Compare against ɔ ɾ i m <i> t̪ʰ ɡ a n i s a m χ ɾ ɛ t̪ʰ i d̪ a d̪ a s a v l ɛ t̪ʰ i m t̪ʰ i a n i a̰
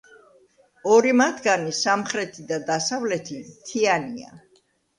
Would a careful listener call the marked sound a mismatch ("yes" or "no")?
yes